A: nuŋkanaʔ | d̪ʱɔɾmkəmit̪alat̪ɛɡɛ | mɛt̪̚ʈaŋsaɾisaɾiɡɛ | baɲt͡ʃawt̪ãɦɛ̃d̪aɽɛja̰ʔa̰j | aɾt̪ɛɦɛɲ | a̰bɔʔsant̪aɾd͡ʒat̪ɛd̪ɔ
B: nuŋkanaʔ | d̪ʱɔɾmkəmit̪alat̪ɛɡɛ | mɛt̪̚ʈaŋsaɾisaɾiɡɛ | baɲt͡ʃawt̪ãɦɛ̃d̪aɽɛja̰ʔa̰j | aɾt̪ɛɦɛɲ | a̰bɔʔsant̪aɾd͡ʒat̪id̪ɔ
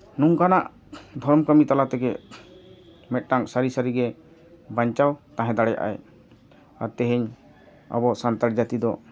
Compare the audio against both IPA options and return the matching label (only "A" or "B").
B